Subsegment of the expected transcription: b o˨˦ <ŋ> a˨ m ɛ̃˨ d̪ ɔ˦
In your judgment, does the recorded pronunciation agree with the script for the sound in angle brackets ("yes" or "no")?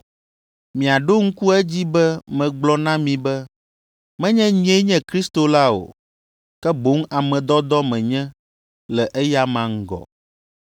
yes